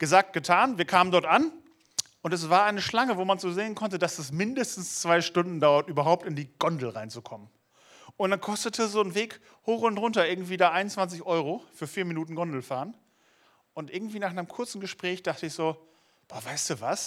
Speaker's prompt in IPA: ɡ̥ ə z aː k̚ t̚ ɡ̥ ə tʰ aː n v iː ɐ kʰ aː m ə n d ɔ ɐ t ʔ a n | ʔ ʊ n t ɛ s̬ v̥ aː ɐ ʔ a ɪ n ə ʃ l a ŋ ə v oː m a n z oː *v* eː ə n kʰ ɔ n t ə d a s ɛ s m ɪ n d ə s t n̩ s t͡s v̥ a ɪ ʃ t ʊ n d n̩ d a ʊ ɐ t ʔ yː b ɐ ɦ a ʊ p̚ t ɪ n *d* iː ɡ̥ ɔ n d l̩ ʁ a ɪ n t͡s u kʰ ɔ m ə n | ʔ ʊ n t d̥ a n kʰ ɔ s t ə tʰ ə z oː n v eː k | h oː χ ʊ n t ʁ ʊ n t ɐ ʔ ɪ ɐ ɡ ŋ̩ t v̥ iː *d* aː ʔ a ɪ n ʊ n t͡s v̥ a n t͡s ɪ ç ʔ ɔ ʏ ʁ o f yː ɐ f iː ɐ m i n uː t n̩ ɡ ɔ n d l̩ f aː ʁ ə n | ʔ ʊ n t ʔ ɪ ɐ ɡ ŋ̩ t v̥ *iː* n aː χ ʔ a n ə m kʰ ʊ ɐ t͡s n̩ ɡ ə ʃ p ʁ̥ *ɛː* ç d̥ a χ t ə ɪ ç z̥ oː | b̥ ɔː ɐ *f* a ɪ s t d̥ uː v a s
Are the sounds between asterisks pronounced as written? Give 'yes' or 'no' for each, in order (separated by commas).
no, yes, yes, yes, yes, no